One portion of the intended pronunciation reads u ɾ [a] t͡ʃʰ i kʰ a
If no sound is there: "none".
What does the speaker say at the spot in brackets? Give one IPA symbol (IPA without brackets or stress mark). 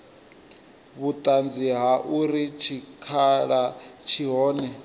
i